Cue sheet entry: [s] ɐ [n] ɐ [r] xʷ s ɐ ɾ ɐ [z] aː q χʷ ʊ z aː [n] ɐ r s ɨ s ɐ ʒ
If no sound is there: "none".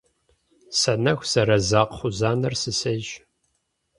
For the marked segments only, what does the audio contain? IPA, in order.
s, n, none, z, n

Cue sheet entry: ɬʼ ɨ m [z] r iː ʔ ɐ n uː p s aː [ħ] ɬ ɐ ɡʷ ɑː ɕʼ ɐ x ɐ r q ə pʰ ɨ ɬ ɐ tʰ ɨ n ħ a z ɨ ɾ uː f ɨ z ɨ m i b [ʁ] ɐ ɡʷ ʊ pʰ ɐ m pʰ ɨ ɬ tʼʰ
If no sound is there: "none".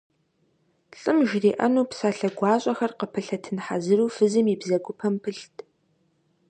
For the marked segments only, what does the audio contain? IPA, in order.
ʒ, none, z

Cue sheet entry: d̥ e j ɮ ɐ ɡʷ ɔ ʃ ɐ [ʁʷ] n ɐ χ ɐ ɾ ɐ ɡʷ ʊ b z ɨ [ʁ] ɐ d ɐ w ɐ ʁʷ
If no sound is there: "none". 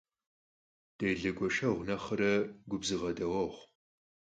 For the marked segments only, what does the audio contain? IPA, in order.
ʁʷ, ʁ

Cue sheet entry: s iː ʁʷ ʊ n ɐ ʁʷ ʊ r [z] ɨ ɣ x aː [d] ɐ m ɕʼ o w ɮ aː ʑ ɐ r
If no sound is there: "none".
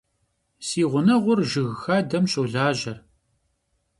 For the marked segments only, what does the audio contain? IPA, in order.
ʒ, d

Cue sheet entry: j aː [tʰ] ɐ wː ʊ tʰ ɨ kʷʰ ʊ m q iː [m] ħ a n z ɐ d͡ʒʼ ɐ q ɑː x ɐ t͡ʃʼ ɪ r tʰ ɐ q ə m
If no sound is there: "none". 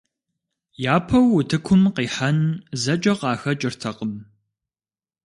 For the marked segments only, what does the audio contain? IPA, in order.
pʰ, none

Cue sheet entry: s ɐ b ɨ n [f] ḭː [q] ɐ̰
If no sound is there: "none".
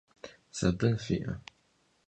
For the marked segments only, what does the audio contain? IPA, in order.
f, ʔ

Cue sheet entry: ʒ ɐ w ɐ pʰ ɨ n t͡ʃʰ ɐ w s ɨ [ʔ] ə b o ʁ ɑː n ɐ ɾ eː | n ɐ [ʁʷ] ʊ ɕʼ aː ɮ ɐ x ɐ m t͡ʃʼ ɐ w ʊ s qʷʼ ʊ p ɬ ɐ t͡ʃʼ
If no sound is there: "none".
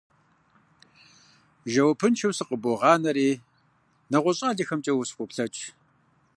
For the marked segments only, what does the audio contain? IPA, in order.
q, ʁʷ

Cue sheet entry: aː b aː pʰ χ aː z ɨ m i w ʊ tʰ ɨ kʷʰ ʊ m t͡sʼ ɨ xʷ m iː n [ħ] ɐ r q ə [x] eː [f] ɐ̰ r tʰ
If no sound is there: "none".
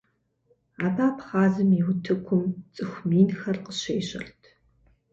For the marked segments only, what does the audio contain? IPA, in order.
x, ɕ, ɕ

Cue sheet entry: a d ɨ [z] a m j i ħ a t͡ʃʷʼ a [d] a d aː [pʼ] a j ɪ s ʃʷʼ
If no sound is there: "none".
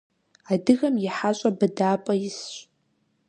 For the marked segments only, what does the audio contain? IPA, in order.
ɣ, b, pʼ

